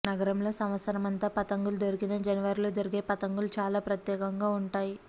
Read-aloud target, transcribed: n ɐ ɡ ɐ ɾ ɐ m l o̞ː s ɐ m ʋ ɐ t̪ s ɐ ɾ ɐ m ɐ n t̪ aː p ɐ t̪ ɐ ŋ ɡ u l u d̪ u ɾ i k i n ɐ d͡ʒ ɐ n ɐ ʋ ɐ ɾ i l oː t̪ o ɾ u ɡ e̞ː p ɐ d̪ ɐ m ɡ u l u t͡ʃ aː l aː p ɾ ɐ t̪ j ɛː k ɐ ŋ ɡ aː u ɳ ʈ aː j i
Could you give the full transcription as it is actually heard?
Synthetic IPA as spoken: n ɐ ɡ ɐ ɾ ɐ m l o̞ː s ɐ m ʋ ɐ t̪ s ɐ ɾ ɐ m ɐ n t̪ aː p ɐ t̪ ɐ ŋ ɡ u l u d̪ o ɾ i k i n ɐ d͡ʒ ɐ n ɐ ʋ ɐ ɾ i l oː d̪ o ɾ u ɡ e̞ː p ɐ t̪ ɐ ŋ ɡ u l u t͡ʃ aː l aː p ɾ ɐ t̪ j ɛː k ɐ ŋ ɡ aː u ɳ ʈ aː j i